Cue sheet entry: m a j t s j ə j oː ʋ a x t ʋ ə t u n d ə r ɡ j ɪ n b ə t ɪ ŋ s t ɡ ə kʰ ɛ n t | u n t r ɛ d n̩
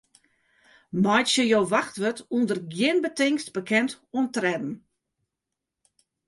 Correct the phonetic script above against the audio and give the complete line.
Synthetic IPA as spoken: m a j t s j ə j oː ʋ a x t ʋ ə t u n d ə r ɡ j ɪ n b ə t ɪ ŋ s t b ə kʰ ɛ n t | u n t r ɛ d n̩